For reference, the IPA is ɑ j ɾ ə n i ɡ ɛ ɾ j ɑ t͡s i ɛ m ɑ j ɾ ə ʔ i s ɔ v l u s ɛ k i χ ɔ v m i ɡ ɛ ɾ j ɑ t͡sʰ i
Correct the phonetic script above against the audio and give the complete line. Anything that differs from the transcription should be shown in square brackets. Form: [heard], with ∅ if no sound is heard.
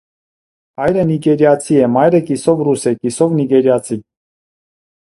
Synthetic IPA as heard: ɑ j ɾ ə n i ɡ ɛ ɾ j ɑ [t͡sʰ] i ɛ m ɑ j ɾ ə [k] i s ɔ v [r] u s ɛ k i [s] ɔ v [n] i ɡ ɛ ɾ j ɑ t͡sʰ i